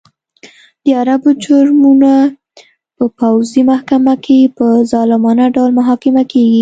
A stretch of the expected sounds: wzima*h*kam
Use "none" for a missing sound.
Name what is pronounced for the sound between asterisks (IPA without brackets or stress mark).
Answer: h